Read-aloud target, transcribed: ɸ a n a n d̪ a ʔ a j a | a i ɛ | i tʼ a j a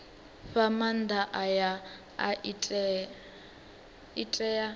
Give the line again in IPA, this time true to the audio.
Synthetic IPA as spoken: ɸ a m a n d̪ a ʔ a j a | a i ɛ | i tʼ ɛ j a